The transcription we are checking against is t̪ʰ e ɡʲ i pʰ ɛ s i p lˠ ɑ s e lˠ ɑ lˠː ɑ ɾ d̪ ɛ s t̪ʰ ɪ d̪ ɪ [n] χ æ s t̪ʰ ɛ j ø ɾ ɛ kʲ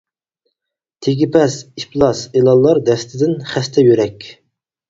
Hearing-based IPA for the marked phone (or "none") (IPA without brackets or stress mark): n